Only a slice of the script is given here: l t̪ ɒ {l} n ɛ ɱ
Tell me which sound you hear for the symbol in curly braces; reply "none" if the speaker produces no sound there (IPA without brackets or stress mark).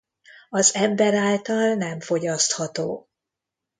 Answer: l